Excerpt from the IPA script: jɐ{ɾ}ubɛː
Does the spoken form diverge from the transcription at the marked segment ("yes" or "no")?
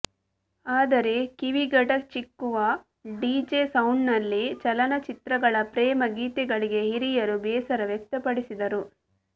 no